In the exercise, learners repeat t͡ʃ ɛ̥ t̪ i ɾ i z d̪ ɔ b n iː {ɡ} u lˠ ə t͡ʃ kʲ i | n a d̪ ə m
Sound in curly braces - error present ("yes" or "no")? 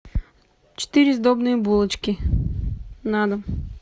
yes